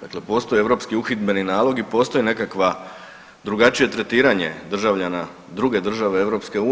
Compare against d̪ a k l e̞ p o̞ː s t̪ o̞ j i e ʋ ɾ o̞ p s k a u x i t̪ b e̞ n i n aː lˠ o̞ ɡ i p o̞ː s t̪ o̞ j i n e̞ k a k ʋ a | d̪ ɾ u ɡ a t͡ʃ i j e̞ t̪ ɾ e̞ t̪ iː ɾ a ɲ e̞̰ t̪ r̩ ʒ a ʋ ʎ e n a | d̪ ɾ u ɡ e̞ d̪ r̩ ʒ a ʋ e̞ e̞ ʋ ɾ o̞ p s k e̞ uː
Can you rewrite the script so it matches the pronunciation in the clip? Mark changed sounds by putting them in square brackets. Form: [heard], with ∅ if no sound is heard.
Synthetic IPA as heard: d̪ a k l e̞ p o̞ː s t̪ o̞ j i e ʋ ɾ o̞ p s k [i] u x i t̪ b e̞ n i n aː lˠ o̞ ɡ i p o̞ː s t̪ o̞ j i n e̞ k a k ʋ a | d̪ ɾ u ɡ a t͡ʃ i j e̞ t̪ ɾ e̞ t̪ iː ɾ a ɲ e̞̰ [d̪] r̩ ʒ a ʋ ʎ [a] n a | d̪ ɾ u ɡ e̞ d̪ r̩ ʒ a ʋ e̞ e̞ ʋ ɾ o̞ p s k e̞ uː